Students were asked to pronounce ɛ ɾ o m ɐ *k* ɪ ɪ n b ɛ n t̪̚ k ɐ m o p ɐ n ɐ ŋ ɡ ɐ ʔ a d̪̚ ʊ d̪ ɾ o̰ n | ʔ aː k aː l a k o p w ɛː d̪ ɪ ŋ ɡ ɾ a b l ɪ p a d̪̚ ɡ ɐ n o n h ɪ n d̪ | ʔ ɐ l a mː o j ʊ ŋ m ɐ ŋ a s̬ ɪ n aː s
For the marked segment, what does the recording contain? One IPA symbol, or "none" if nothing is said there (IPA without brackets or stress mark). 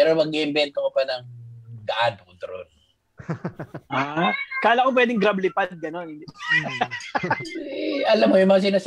ɡ